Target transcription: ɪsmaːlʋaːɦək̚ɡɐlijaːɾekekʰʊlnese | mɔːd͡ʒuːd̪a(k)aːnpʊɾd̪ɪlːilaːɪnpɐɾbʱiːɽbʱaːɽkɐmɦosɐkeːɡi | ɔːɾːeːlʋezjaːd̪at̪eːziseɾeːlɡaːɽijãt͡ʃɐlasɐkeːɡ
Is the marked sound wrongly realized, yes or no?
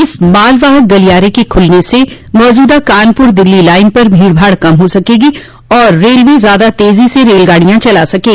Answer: no